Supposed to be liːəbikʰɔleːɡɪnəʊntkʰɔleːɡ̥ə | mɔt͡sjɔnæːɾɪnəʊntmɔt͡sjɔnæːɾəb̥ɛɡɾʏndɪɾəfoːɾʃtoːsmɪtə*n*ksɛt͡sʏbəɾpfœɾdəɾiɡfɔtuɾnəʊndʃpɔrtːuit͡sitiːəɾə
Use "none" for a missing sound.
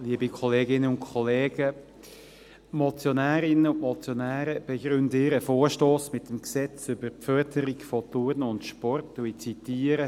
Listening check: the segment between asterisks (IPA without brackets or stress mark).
m